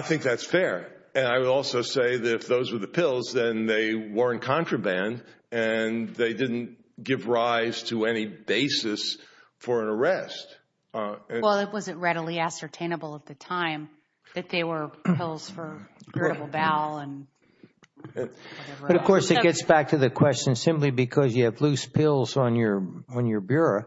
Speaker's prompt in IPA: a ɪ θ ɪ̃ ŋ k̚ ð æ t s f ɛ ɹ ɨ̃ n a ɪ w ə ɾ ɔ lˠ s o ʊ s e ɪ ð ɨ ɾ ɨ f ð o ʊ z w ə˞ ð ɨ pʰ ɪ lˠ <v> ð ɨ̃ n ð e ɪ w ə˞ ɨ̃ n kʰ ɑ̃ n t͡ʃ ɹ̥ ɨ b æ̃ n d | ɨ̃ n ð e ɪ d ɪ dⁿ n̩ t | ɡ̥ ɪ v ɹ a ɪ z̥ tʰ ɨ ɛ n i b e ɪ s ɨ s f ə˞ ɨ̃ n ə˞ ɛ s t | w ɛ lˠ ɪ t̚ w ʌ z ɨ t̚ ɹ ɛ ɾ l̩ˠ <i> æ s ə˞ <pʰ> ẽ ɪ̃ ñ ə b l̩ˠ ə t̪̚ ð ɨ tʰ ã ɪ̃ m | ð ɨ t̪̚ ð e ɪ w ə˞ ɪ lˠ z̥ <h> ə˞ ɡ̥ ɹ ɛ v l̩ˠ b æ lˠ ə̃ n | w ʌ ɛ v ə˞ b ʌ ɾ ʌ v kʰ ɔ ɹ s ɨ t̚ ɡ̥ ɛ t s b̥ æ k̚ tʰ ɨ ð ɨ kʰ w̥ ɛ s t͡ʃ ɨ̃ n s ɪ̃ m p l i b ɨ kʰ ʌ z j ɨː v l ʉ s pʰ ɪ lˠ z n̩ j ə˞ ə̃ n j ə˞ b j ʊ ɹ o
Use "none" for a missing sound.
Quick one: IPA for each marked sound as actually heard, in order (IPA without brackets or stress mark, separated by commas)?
z, i, tʰ, f